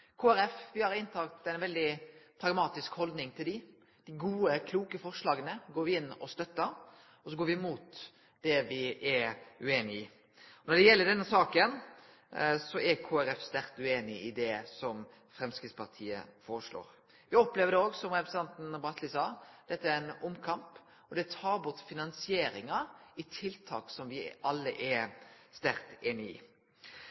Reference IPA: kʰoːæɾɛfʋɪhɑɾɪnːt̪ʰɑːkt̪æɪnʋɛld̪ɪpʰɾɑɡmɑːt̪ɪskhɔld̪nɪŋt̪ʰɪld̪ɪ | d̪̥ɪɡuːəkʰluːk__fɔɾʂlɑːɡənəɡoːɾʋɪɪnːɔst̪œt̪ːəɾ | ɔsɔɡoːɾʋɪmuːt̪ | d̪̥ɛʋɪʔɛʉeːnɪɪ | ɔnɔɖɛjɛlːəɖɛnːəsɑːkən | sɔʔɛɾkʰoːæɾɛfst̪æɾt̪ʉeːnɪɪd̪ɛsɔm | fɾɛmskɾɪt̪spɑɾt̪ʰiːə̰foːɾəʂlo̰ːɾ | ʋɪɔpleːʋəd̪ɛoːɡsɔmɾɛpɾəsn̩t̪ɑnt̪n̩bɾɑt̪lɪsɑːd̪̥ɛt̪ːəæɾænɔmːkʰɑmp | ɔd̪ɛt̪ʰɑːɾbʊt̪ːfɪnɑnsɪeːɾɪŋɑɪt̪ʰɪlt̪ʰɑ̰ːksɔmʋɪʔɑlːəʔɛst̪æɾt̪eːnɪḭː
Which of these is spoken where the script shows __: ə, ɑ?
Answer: ə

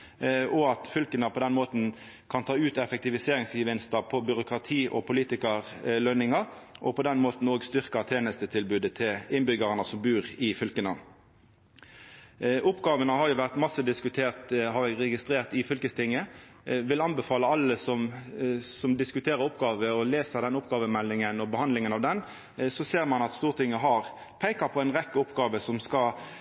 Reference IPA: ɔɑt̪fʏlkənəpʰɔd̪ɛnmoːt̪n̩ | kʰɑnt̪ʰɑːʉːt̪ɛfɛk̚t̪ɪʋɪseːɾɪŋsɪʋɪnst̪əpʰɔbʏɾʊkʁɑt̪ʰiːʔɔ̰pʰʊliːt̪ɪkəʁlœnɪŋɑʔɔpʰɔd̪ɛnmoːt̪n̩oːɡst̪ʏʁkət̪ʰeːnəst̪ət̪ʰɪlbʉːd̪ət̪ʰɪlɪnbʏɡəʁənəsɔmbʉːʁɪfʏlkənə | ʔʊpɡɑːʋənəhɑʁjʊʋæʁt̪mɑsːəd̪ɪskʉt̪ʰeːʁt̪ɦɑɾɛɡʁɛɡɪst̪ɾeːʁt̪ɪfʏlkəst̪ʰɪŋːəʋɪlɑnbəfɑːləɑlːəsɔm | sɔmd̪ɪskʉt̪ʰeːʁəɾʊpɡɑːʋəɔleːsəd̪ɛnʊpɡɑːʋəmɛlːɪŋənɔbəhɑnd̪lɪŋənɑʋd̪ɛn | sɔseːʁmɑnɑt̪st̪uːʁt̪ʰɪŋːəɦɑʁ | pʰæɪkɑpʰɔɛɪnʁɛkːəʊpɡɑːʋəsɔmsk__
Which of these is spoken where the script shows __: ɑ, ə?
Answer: ɑ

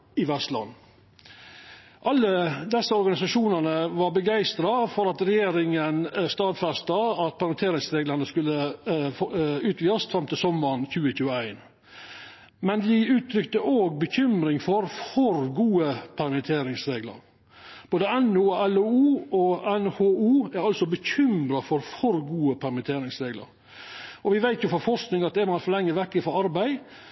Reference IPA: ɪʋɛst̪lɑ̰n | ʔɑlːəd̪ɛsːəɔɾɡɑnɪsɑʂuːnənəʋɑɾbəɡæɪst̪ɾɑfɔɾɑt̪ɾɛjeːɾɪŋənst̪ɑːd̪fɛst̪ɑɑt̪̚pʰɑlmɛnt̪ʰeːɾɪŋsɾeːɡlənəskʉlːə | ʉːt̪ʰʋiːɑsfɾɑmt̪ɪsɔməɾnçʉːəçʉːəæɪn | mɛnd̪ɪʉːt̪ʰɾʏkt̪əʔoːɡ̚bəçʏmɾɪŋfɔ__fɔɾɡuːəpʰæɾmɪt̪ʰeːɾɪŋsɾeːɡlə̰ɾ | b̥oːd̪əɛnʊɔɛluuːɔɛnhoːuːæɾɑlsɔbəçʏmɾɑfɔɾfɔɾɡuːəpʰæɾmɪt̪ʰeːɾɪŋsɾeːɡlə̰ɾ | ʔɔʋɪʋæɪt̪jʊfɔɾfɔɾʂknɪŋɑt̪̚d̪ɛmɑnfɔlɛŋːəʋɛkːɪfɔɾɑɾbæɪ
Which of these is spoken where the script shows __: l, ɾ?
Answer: ɾ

